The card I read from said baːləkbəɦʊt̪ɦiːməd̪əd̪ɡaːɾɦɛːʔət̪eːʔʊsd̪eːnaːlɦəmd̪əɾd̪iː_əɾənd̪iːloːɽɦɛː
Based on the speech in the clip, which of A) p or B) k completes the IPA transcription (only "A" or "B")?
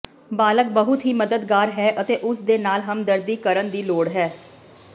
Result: B